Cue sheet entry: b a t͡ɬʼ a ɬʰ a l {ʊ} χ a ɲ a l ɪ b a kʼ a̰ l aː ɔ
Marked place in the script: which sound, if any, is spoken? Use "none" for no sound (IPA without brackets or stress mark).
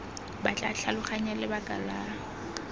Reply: ʊ